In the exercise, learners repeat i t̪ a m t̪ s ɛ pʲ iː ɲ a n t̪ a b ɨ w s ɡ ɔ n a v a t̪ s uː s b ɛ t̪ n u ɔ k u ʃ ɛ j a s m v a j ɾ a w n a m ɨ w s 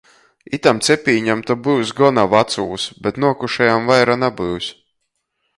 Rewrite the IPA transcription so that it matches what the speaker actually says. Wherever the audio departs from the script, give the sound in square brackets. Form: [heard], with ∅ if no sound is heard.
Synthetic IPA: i t̪ a m t̪ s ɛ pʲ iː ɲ a [m] t̪ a b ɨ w s ɡ ɔ n a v a t̪ s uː s b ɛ t̪ n u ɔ k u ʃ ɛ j a [∅] m v a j ɾ a [∅] n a [b] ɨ w s